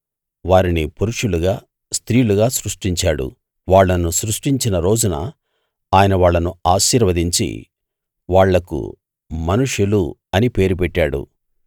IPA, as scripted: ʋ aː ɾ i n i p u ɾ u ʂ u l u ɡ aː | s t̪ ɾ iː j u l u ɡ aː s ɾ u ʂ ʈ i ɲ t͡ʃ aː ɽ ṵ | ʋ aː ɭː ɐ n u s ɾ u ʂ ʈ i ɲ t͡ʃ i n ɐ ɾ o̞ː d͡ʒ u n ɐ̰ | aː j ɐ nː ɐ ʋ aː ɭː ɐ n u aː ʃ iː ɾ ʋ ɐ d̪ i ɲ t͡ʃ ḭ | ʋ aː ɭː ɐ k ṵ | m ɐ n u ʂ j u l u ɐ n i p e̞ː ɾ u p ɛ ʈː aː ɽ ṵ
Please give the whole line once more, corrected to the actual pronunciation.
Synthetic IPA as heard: ʋ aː ɾ i n i p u ɾ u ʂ u l u ɡ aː | s t̪ ɾ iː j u l u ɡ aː s ɾ u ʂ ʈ i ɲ t͡ʃ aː ɽ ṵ | ʋ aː ɭː ɐ n u s ɾ u ʂ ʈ i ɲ t͡ʃ i n ɐ ɾ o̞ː d͡ʒ u n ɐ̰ | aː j ɐ n ɐ ʋ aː ɭː ɐ n u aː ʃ iː ɾ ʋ ɐ d̪ i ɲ t͡ʃ ḭ | ʋ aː ɭː ɐ k ṵ | m ɐ n u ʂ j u l u ɐ n i p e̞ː ɾ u p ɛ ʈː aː ɽ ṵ